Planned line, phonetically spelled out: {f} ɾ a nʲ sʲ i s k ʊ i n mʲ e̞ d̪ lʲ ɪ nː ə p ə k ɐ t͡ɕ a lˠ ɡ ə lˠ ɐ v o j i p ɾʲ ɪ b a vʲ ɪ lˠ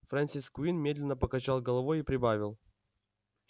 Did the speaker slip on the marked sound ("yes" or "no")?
no